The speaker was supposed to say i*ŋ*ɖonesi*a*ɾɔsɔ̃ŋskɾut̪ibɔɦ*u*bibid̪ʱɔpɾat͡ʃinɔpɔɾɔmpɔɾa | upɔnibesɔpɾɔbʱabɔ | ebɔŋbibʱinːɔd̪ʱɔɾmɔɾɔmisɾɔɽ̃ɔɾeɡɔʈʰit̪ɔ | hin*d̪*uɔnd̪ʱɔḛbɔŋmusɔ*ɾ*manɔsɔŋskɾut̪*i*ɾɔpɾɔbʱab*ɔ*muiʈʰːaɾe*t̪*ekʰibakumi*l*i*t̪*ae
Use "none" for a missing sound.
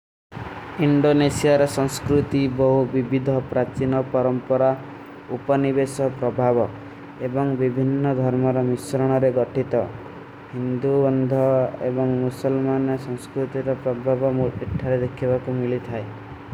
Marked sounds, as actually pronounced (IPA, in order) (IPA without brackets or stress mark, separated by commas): ɳ, a, u, d̪, l, i, ɔ, d̪, l, t̪ʰ